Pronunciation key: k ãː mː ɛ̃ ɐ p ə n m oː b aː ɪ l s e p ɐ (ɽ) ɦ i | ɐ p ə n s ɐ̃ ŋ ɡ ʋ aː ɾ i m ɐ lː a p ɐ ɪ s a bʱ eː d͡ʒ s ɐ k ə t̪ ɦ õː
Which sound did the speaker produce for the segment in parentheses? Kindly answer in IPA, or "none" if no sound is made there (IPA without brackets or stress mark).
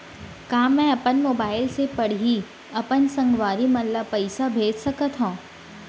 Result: ɽ